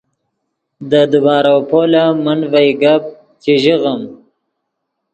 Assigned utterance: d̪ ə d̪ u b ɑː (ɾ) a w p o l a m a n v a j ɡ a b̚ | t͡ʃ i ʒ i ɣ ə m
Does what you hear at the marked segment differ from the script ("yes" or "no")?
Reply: no